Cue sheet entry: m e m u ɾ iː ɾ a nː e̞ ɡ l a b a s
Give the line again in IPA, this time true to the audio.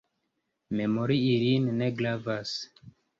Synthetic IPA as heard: m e m o ɾ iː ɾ i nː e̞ ɡ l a v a s